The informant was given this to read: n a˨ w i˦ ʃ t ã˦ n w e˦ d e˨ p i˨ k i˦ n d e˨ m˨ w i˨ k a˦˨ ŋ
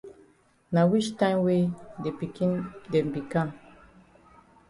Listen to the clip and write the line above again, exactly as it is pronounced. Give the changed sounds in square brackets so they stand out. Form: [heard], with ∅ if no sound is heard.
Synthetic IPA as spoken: n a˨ w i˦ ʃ t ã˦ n w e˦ d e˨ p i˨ k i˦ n d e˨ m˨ [b] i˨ k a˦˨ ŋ